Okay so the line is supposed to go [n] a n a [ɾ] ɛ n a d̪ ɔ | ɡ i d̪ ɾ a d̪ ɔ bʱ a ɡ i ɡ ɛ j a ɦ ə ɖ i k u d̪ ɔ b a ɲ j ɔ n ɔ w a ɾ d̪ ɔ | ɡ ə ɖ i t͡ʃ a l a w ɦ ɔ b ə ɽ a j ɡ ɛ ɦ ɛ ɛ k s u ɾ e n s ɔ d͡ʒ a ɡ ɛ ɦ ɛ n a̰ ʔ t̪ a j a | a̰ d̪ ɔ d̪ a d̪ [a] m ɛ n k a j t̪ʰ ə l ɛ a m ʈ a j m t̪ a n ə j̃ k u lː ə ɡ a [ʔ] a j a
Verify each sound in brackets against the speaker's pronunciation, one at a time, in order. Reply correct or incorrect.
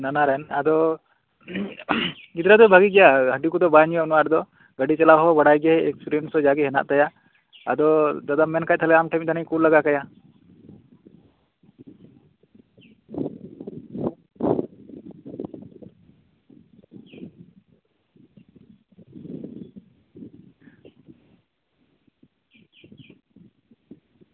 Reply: correct, correct, correct, incorrect

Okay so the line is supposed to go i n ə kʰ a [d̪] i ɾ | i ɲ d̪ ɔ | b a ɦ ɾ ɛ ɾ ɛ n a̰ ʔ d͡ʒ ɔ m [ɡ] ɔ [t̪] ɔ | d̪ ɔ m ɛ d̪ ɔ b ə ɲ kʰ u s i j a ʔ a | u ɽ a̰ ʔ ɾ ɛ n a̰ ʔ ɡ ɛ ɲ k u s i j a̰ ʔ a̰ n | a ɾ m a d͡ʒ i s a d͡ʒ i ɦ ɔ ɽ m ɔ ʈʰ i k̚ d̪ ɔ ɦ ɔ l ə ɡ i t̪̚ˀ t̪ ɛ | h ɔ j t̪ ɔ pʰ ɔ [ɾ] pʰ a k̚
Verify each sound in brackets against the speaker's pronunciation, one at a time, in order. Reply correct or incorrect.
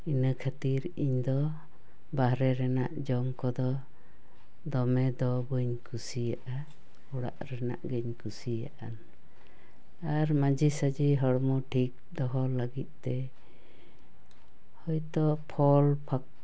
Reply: incorrect, incorrect, incorrect, incorrect

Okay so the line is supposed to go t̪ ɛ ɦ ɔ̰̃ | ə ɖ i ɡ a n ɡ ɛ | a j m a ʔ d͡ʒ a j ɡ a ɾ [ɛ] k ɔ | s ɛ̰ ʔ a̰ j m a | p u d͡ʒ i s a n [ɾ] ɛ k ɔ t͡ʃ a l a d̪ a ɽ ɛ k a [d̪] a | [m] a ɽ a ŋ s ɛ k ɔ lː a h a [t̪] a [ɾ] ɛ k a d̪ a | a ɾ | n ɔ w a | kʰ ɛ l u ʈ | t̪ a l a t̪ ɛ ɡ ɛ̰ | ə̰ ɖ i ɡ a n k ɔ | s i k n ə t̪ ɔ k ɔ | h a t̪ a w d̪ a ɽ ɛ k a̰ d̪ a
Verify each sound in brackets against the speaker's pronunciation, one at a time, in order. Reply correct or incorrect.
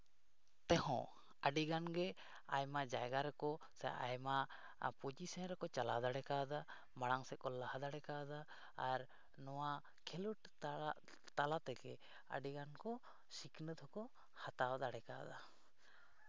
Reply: correct, correct, correct, correct, incorrect, incorrect

